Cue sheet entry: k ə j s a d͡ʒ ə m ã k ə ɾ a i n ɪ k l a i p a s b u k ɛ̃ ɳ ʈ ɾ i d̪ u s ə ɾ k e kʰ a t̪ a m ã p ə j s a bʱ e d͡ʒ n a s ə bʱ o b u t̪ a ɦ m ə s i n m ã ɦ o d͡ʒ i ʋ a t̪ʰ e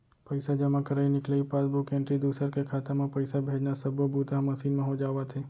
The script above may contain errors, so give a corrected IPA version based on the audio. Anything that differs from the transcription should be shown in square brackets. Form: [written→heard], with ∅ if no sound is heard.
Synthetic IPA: [k→p] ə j s a d͡ʒ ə m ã k ə ɾ a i n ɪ k l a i p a s b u k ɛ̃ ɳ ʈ ɾ i d̪ u s ə ɾ k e kʰ a t̪ a m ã p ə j s a bʱ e d͡ʒ n a s ə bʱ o b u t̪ a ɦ m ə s i n m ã ɦ o d͡ʒ [i→a] ʋ a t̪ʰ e